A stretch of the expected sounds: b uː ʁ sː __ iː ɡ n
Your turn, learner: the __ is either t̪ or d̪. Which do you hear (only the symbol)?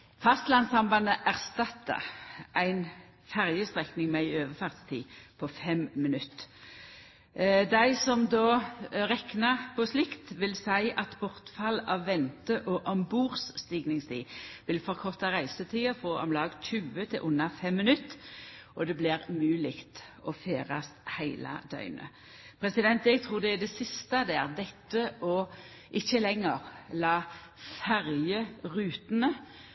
t̪